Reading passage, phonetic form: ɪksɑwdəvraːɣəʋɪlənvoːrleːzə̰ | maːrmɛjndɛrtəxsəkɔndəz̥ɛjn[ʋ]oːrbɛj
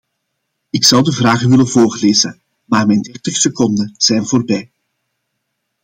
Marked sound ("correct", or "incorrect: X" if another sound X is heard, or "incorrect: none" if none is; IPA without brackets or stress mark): incorrect: v